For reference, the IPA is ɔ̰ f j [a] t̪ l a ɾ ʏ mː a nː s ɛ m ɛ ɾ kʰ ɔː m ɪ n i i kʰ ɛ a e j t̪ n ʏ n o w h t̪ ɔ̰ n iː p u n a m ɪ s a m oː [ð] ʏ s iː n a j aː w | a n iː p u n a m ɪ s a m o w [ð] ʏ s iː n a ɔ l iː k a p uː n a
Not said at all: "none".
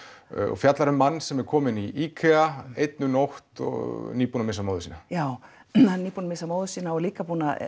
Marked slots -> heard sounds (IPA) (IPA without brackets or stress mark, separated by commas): a, ð, ð